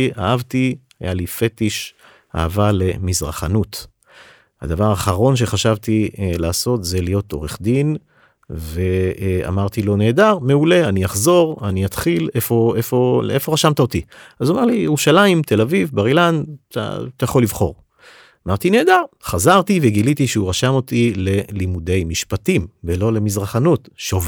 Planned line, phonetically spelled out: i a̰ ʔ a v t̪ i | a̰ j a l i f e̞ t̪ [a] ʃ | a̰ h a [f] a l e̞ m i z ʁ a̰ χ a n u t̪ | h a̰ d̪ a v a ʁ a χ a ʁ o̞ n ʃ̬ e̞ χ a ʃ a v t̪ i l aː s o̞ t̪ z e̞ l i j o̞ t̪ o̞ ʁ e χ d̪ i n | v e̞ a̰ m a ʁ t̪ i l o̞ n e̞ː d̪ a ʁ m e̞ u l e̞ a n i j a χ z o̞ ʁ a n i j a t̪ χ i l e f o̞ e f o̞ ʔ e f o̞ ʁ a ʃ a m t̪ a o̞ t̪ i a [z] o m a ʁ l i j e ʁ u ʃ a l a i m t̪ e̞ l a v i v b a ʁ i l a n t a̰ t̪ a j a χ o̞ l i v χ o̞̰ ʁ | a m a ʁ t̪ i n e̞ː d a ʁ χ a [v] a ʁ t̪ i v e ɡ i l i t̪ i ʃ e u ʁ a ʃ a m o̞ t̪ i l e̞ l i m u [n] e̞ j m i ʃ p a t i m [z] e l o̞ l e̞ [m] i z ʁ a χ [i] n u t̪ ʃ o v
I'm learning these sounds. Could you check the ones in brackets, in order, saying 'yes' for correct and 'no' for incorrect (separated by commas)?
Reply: no, no, yes, no, no, no, yes, no